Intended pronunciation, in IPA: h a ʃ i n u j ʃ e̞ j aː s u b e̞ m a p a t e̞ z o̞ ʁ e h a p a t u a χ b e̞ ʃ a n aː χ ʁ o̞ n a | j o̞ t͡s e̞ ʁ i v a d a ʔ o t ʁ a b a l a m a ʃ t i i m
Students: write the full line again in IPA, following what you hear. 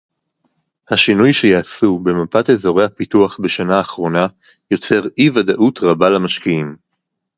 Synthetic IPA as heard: h a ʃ i n u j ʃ e̞ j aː s u b e̞ m a p a t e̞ z o̞ ʁ e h a p i t u a χ b e̞ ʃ a n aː χ ʁ o̞ n a | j o̞ t͡s e̞ ʁ i v a d a ʔ u t ʁ a b a l a m a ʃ k i i m